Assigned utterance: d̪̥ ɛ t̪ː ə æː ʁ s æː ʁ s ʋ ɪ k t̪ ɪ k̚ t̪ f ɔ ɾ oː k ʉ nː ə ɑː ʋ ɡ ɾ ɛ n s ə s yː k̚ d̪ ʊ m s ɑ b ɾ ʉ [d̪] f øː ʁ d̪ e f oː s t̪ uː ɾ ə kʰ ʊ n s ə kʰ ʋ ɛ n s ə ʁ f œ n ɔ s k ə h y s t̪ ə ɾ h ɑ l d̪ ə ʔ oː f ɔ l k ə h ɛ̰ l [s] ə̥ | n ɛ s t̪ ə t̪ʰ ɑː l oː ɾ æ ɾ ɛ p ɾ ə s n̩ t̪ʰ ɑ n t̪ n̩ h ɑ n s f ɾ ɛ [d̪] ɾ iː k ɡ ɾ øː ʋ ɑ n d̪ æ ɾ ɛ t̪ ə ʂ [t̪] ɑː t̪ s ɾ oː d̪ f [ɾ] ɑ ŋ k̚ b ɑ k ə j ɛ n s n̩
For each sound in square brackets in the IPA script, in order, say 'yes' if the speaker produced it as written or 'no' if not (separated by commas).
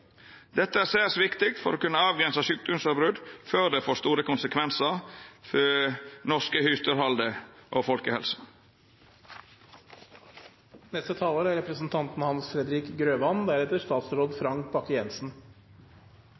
yes, yes, yes, yes, yes